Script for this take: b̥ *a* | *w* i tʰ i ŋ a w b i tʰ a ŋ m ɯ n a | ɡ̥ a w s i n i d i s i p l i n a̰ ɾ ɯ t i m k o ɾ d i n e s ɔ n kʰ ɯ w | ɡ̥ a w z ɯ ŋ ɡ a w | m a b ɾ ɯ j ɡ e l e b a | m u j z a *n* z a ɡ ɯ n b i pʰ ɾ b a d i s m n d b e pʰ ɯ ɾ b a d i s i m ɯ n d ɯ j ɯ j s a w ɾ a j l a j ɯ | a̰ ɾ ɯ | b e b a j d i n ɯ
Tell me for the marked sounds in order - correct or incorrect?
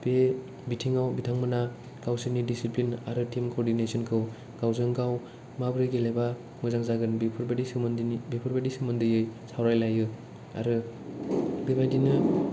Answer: incorrect: e, incorrect: b, incorrect: ŋ

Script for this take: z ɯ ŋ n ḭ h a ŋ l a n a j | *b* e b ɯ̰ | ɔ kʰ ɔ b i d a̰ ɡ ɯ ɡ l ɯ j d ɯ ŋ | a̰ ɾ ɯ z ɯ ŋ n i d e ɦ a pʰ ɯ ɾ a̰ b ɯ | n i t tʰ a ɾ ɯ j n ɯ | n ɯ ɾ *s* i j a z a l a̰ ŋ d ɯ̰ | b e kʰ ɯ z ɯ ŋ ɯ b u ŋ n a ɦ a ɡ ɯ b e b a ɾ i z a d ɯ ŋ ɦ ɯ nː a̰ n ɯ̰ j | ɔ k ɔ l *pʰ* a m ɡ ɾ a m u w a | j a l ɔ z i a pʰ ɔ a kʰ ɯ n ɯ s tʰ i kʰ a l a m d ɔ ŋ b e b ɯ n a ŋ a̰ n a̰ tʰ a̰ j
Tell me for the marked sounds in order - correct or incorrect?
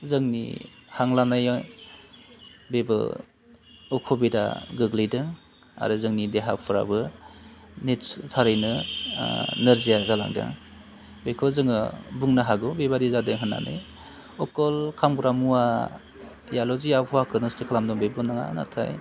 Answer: correct, incorrect: z, incorrect: kʰ

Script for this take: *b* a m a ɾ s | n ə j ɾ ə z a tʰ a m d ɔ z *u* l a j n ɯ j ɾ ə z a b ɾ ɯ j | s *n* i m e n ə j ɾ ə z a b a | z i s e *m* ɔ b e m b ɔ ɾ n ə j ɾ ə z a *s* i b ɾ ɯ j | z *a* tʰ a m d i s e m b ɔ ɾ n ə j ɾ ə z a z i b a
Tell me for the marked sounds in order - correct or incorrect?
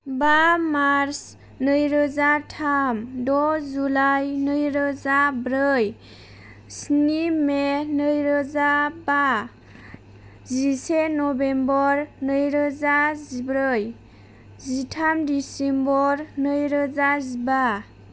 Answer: correct, correct, correct, incorrect: n, incorrect: z, incorrect: i

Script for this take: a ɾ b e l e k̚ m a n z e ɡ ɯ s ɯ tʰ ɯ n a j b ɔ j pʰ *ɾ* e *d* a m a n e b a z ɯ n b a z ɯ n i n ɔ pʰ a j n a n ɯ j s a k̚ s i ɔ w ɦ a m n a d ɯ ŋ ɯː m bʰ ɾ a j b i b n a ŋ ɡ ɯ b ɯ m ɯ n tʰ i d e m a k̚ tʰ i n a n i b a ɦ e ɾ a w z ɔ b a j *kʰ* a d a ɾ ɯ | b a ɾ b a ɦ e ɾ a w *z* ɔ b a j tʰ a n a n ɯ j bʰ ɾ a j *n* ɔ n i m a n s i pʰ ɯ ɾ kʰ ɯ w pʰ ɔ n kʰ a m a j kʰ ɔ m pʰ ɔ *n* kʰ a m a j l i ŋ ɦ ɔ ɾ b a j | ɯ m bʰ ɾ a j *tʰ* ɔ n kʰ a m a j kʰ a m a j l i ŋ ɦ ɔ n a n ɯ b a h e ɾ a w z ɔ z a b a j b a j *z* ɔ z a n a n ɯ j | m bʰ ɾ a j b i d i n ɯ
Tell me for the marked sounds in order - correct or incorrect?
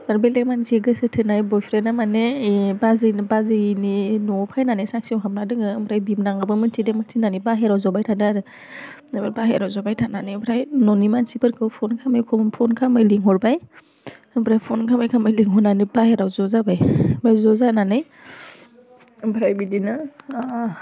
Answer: correct, incorrect: n, incorrect: tʰ, correct, correct, correct, incorrect: pʰ, correct

